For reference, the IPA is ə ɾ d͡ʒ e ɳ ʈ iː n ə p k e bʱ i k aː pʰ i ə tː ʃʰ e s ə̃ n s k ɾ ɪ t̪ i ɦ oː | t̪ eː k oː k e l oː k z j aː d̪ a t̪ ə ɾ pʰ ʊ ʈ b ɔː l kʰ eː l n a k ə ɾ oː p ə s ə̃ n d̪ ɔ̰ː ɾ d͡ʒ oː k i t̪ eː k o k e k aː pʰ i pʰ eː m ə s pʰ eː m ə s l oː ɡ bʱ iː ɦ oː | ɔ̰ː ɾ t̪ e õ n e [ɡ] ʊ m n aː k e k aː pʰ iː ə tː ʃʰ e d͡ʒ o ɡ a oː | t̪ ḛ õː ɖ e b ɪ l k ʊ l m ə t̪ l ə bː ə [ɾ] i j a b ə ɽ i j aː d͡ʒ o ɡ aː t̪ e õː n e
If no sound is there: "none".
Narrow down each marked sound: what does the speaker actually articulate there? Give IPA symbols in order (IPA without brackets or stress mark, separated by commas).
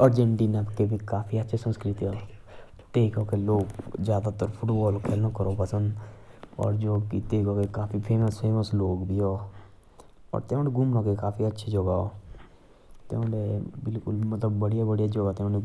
ɡ, ɽ